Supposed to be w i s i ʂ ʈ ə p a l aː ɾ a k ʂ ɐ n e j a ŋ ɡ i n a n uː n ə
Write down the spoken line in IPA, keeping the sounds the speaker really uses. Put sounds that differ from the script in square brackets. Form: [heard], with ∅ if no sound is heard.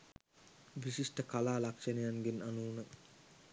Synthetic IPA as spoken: [ʋ] i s i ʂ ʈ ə [k] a l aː [l] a k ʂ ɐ n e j a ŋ ɡ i n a n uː n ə